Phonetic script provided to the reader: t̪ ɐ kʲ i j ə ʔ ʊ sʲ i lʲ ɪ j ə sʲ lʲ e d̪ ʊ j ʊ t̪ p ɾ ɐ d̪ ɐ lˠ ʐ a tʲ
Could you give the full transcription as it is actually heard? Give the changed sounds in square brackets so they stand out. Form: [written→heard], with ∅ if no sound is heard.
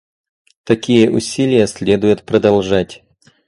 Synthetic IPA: t̪ ɐ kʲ i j ə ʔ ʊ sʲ i lʲ ɪ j ə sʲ lʲ e d̪ ʊ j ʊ t̪ p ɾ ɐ d̪ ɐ lˠ ʐ a tʲ